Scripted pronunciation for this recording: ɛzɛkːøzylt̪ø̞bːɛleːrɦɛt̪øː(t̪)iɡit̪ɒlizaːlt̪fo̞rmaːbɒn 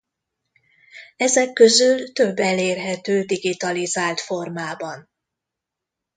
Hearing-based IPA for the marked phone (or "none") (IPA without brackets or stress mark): d̪